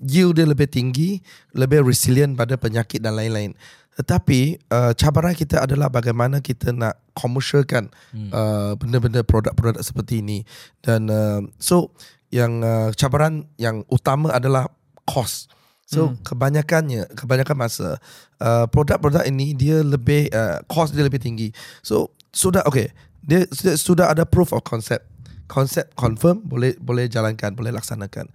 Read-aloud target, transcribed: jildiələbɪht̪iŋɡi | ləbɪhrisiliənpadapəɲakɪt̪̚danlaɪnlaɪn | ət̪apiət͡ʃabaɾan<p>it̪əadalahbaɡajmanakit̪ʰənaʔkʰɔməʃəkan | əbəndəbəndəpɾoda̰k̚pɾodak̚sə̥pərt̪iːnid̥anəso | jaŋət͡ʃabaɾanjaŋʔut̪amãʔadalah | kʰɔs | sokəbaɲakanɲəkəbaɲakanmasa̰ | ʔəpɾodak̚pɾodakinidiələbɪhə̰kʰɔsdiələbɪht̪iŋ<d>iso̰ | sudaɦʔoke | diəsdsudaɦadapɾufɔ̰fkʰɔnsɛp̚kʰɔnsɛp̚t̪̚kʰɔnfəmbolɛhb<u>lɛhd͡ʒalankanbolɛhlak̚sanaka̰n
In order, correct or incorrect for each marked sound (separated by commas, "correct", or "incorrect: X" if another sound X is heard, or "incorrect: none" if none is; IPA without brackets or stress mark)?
incorrect: k, incorrect: ɡ, incorrect: o